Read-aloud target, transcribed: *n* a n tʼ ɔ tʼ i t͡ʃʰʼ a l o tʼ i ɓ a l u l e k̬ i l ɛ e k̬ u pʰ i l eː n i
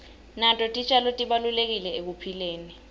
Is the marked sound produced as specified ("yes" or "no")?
yes